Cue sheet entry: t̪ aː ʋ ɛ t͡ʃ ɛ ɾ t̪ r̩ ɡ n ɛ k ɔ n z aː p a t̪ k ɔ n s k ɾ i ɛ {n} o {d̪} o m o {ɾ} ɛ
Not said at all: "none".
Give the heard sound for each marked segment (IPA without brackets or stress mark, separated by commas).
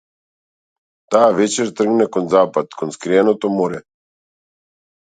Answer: n, t̪, ɾ